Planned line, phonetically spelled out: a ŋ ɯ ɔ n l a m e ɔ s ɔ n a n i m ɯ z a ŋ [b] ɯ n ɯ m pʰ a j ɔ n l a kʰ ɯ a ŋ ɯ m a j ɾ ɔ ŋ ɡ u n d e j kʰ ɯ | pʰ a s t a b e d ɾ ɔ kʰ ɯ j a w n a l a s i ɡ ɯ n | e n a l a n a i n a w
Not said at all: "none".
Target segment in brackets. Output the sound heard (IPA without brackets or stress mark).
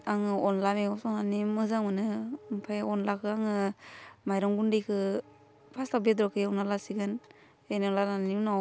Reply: m